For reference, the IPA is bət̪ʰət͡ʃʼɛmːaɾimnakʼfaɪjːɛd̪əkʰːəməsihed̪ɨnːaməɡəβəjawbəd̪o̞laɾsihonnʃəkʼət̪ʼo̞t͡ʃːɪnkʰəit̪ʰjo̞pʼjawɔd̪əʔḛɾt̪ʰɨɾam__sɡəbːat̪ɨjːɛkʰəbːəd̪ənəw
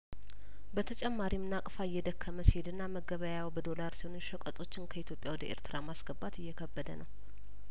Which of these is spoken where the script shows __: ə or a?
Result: a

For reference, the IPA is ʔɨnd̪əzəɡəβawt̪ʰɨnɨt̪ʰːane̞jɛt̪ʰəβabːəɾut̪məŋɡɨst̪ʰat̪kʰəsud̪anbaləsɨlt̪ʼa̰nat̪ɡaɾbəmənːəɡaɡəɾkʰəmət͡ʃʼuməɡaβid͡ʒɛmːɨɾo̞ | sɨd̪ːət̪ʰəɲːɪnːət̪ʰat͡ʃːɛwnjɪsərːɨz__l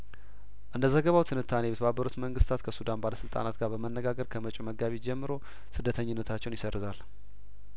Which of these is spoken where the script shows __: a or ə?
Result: a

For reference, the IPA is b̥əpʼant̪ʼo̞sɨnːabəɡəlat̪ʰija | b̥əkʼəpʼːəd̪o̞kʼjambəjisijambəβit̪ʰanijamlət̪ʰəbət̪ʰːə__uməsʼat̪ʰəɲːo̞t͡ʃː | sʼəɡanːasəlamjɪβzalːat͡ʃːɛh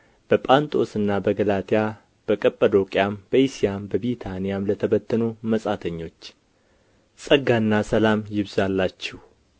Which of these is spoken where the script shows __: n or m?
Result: n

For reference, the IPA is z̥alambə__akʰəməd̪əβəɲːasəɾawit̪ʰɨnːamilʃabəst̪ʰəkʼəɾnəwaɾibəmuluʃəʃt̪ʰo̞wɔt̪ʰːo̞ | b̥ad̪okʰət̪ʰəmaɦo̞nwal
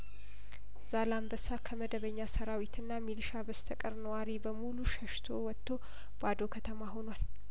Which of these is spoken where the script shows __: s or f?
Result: s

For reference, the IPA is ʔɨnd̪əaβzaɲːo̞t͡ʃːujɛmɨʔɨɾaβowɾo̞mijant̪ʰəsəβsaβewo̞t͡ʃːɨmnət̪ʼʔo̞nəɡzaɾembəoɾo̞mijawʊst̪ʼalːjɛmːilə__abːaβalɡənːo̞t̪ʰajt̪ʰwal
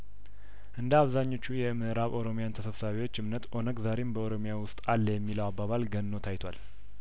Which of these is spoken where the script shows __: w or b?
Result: w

